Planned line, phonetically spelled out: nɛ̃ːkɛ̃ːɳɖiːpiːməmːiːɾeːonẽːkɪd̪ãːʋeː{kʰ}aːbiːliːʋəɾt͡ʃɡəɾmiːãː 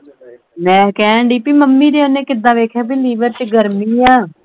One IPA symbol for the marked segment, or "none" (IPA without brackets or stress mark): kʰ